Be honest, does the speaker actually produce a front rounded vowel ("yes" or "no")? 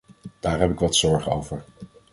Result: no